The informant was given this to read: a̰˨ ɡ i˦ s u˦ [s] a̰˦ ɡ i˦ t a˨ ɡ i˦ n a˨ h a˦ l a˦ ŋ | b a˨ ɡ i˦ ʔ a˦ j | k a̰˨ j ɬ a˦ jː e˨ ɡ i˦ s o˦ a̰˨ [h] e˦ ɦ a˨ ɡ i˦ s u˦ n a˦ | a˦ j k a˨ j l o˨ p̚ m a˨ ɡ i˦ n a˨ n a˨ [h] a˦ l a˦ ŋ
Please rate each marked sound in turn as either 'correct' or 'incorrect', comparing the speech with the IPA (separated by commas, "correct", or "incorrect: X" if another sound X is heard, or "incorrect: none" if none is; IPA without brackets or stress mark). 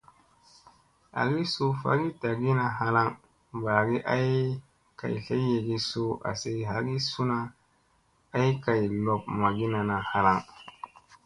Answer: incorrect: f, incorrect: s, correct